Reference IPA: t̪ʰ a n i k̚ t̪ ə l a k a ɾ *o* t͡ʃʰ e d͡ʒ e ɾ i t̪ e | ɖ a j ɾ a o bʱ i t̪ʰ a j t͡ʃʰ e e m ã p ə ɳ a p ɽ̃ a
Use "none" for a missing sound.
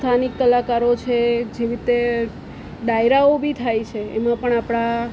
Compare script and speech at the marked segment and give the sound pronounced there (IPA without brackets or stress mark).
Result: o